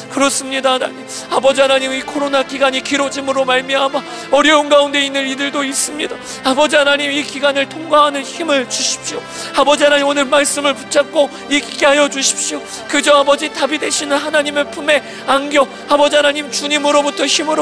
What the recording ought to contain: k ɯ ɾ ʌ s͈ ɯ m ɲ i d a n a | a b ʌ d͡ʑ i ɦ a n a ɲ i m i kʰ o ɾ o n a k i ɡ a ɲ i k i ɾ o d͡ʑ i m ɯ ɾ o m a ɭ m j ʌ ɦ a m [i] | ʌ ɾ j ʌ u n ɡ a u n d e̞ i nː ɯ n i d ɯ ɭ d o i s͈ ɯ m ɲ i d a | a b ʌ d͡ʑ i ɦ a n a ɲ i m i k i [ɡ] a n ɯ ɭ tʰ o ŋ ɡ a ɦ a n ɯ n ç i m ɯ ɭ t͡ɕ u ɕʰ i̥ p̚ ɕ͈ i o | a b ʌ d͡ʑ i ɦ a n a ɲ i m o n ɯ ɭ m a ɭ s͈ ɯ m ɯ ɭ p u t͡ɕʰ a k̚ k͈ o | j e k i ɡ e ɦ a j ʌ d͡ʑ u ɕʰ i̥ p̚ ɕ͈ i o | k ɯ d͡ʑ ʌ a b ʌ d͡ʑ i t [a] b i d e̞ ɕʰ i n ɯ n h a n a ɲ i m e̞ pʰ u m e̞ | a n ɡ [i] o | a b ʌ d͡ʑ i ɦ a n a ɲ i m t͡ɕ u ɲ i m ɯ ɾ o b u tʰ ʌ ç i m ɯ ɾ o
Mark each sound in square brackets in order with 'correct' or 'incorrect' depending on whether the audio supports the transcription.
incorrect, correct, correct, incorrect

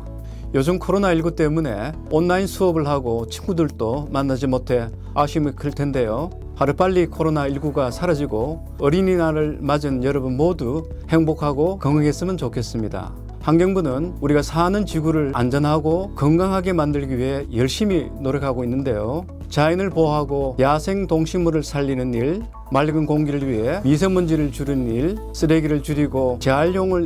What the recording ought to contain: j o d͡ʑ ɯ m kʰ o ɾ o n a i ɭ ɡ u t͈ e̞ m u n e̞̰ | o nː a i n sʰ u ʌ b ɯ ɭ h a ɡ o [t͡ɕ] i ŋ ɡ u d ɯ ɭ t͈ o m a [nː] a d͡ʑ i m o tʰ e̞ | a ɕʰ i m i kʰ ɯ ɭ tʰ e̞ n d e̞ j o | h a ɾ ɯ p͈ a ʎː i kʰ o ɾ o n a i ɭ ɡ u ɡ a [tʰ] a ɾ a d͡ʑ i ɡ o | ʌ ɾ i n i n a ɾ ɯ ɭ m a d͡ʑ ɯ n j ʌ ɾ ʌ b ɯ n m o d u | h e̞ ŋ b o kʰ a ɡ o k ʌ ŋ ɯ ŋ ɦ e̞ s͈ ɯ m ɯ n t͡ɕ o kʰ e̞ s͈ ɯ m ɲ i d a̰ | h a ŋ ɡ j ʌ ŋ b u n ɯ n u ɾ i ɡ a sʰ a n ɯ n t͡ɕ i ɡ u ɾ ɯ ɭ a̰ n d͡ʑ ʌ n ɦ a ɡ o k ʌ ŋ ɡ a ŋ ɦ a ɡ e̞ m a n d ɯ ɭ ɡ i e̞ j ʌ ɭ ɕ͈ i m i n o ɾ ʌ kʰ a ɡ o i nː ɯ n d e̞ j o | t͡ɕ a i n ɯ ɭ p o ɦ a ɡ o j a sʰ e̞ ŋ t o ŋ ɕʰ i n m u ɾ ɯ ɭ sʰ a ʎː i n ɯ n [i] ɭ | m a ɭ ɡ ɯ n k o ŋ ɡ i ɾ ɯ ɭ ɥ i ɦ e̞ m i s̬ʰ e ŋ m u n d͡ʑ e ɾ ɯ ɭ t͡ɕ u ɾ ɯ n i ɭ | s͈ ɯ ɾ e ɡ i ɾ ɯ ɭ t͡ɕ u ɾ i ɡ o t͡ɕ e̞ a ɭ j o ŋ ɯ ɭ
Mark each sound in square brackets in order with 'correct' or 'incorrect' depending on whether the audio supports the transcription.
incorrect, correct, incorrect, correct

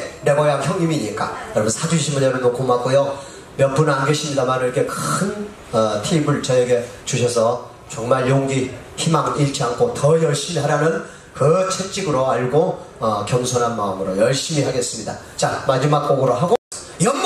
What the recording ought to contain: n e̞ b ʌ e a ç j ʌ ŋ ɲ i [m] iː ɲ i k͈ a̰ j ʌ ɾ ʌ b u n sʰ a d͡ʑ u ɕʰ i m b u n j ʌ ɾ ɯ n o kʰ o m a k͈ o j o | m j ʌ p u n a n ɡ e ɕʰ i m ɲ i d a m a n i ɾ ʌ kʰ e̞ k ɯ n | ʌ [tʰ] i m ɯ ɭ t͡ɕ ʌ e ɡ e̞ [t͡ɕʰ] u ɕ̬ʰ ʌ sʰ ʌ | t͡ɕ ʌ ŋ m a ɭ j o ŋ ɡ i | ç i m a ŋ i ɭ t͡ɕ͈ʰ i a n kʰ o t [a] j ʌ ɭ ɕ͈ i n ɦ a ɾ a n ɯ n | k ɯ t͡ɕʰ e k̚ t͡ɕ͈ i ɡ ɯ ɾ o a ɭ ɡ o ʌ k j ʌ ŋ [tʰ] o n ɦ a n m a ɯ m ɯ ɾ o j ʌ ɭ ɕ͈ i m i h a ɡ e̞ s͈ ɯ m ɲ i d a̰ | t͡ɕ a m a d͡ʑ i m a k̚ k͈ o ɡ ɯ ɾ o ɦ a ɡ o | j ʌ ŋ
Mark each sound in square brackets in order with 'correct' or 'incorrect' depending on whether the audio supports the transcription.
correct, correct, incorrect, incorrect, incorrect

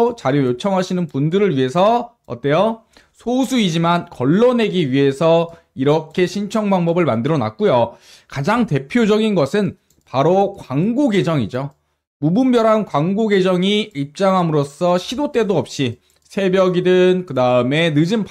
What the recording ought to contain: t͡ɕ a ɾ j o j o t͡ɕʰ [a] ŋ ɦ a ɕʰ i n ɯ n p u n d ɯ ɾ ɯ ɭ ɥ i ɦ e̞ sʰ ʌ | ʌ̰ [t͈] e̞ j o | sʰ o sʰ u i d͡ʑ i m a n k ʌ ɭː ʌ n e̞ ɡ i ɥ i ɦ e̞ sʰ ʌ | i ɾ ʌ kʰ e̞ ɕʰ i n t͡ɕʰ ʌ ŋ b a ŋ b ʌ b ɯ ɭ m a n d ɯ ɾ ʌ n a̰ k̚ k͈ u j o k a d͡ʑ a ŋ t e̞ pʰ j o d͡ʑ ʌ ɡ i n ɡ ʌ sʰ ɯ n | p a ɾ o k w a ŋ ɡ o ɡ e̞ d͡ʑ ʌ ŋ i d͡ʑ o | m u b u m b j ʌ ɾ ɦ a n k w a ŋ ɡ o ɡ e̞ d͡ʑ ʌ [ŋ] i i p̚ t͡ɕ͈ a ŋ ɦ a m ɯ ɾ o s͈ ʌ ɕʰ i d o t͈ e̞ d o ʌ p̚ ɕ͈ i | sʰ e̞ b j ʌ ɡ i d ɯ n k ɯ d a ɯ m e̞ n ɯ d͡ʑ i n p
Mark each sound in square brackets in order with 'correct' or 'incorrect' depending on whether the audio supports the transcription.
incorrect, correct, correct

